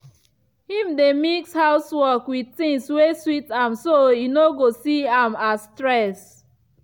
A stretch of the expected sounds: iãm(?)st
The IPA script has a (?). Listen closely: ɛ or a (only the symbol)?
a